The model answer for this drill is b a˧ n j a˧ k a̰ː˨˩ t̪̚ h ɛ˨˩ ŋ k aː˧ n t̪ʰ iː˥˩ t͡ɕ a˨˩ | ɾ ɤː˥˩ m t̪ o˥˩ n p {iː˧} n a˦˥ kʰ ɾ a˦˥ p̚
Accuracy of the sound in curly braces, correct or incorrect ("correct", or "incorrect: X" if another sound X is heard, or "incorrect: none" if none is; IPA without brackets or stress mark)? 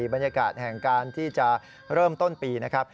correct